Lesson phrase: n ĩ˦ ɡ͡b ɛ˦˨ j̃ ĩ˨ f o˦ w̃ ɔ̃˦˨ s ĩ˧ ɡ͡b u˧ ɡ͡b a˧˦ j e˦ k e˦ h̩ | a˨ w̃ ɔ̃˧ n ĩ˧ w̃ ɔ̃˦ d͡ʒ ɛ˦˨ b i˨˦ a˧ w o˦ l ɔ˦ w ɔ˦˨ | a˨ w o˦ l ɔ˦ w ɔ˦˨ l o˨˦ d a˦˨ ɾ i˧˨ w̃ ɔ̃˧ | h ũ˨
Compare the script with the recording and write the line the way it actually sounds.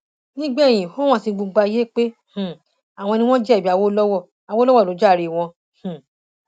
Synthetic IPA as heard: n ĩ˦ ɡ͡b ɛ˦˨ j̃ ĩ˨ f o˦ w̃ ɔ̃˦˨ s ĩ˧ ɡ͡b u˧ ɡ͡b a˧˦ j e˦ k͡p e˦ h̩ | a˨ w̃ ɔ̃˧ n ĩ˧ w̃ ɔ̃˦ d͡ʒ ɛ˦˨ b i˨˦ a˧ w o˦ l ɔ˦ w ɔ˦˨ | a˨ w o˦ l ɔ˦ w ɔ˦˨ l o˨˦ d͡ʒ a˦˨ ɾ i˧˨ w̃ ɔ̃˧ | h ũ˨